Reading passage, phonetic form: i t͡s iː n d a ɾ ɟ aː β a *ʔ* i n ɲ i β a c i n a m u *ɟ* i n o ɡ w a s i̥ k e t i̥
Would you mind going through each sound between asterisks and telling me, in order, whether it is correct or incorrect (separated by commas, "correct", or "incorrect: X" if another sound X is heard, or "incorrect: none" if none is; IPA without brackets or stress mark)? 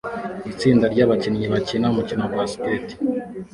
incorrect: c, incorrect: c